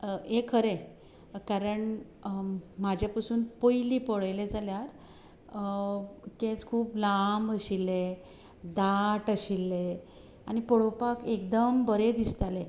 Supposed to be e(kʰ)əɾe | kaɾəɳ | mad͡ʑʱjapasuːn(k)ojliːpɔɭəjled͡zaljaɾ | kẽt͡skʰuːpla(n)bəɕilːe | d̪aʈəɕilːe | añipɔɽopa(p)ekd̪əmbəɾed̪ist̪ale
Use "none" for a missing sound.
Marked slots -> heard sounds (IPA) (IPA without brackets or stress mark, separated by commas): kʰ, p, m, k